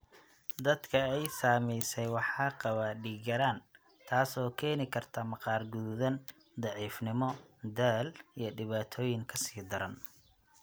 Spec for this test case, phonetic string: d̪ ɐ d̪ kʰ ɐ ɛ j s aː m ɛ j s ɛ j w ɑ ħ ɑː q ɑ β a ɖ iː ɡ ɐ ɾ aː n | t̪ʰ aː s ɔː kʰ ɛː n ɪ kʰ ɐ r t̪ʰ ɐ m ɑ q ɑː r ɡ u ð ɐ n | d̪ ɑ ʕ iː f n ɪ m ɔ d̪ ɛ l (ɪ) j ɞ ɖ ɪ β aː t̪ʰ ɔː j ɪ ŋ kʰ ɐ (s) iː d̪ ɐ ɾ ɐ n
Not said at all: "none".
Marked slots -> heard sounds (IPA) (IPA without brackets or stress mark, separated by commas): i, s